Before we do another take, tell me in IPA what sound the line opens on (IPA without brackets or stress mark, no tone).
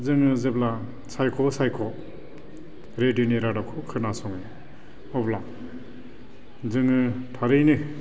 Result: z